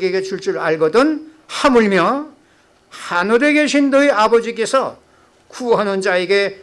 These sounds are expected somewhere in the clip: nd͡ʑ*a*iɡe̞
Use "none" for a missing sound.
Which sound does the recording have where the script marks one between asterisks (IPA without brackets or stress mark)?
a